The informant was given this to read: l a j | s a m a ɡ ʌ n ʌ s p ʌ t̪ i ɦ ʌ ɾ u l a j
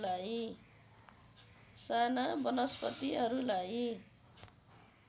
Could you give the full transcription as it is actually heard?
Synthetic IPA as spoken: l a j | s a n a b ʌ n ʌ s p ʌ t̪ i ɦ ʌ ɾ u l a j